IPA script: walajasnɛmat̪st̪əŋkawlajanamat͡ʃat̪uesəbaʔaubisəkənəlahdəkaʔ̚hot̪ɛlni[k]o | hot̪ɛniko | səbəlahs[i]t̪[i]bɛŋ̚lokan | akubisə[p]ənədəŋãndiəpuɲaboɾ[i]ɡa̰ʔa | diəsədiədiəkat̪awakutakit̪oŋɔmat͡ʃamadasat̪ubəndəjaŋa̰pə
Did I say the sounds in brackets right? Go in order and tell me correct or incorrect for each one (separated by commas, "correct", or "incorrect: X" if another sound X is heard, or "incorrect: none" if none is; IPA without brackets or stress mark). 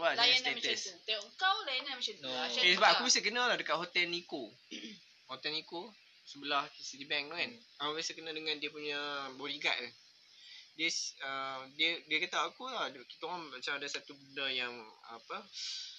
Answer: correct, correct, correct, incorrect: k, correct